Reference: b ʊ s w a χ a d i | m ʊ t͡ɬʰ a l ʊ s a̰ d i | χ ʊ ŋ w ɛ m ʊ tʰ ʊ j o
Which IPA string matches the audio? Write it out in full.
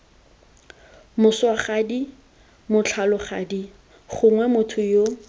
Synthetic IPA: m ʊ s w a χ a d i | m ʊ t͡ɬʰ a l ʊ χ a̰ d i | χ ʊ ŋ w ɛ m ʊ tʰ ʊ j o